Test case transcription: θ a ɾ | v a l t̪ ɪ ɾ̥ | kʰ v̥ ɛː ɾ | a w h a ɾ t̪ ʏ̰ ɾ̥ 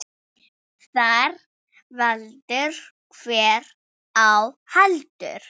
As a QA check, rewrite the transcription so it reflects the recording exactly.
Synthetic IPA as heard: θ a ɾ | v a l t̪ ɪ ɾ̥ | kʰ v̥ ɛː ɾ | a w h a l t̪ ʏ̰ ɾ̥